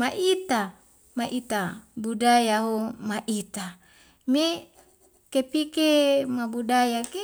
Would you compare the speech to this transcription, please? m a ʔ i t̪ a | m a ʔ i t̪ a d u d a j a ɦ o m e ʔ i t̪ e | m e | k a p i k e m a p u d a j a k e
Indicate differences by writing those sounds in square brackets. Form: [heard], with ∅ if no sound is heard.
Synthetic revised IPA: m a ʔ i t̪ a | m a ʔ i t̪ a [b] u d a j a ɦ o m [a] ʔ i t̪ [a] | m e | k [e] p i k e m a [b] u d a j a k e